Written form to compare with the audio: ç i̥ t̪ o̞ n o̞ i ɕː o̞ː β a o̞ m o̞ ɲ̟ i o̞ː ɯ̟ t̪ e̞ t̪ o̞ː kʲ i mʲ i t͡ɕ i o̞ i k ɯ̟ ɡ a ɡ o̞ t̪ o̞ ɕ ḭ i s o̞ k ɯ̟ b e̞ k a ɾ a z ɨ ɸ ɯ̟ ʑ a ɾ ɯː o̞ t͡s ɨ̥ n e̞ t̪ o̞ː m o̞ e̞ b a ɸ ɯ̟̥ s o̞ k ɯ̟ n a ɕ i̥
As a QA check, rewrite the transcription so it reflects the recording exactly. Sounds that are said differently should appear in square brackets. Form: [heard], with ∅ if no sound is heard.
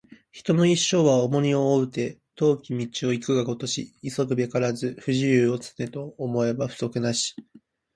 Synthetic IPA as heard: ç i̥ t̪ o̞ n o̞ i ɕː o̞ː β a o̞ m o̞ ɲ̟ i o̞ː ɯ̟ t̪ e̞ t̪ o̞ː kʲ i mʲ i t͡ɕ i o̞ i k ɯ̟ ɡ a ɡ o̞ t̪ o̞ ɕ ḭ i s o̞ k ɯ̟ b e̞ k a ɾ a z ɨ ɸ ɯ̟ ʑ [i] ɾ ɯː o̞ t͡s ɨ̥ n e̞ t̪ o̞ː m o̞ e̞ b a ɸ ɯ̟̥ s o̞ k ɯ̟ n a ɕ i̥